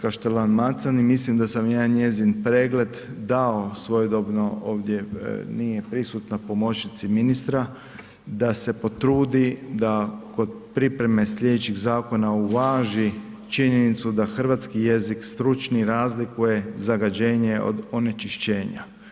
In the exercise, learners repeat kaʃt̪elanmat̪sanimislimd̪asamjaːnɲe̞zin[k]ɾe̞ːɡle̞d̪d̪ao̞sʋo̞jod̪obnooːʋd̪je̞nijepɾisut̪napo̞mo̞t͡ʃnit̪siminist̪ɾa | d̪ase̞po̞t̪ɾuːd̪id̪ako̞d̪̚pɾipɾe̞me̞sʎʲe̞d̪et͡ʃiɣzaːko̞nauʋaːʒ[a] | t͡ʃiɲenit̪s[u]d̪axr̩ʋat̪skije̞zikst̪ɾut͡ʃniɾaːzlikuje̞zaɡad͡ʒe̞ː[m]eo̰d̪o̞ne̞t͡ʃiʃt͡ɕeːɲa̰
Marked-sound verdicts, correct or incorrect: incorrect: p, incorrect: i, correct, incorrect: ɲ

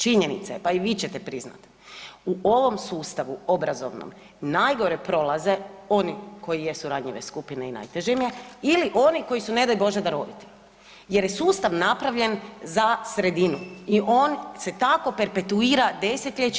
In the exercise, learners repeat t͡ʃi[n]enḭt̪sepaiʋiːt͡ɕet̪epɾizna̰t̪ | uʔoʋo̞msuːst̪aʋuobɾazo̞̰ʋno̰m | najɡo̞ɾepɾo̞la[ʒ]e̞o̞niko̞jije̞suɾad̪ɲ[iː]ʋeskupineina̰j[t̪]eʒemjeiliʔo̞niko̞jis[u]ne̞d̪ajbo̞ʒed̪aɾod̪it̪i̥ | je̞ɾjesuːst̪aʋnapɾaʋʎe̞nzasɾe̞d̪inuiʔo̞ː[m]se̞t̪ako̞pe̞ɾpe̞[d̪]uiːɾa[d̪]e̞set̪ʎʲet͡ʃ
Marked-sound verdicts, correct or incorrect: incorrect: ɲ, incorrect: z, incorrect: i, correct, correct, incorrect: n, incorrect: t̪, correct

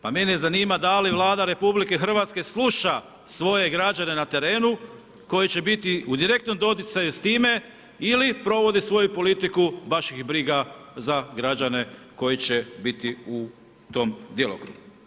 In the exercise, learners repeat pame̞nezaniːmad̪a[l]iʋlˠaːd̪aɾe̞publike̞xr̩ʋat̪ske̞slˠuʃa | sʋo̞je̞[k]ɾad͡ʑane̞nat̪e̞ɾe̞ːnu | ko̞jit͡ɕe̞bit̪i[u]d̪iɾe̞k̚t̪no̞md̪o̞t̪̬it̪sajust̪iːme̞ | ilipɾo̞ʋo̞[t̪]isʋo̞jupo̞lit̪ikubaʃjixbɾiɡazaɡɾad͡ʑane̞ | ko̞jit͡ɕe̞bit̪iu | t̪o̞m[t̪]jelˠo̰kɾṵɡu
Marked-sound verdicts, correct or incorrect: correct, incorrect: ɡ, correct, incorrect: d̪, incorrect: d̪

